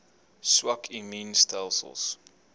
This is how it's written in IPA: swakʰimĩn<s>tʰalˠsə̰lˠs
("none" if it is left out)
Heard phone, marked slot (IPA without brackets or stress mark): s